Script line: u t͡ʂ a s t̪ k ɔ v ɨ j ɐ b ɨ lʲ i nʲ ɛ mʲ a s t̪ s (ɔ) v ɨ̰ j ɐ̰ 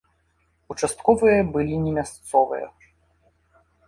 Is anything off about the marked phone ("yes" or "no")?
no